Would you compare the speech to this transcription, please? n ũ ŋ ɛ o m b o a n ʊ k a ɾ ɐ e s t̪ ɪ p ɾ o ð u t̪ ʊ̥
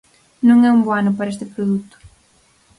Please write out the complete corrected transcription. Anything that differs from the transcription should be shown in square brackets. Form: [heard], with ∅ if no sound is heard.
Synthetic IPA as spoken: n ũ ŋ ɛ [u] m b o a n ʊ [p] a ɾ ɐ e s t̪ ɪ p ɾ o ð u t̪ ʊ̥